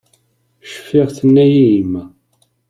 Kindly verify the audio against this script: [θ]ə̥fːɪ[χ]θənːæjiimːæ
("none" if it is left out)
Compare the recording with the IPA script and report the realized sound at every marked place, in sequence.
ʃ, ʁ

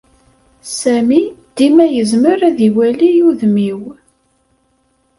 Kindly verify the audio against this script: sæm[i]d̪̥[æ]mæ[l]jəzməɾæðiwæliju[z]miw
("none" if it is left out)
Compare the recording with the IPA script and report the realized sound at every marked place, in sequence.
i, i, none, ð

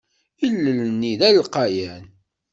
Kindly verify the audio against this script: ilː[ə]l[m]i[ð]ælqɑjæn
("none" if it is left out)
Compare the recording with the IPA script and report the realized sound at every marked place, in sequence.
ə, n, ð

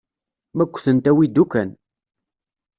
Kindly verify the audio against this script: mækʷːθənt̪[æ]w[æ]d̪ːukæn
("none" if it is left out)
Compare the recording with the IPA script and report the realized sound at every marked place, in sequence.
æ, i

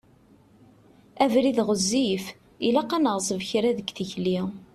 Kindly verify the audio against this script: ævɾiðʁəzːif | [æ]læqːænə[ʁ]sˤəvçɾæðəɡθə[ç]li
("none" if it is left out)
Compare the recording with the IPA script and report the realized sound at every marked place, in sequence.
i, ʁ, ç

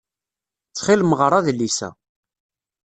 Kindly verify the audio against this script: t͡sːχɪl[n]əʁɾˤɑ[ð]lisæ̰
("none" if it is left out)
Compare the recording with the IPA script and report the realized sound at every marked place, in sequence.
m, ð

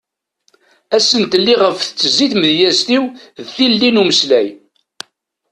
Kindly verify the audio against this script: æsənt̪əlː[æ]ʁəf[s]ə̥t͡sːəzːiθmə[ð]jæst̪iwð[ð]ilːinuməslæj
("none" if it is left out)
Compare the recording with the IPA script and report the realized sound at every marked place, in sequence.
i, θ, ð, θ

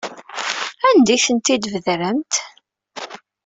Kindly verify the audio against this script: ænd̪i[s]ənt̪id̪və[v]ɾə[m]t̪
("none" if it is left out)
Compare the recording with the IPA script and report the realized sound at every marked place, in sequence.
θ, ð, m

